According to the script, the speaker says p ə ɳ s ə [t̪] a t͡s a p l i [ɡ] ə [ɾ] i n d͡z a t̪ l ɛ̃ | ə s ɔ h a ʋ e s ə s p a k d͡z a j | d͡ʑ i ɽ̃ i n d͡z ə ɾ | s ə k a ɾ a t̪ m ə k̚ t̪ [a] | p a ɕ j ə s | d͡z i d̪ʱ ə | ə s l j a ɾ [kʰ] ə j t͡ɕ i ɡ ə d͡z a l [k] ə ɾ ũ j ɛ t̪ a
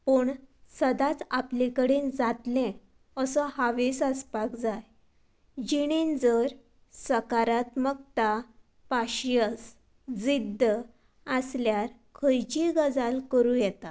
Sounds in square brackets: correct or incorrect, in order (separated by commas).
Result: incorrect, incorrect, incorrect, correct, correct, correct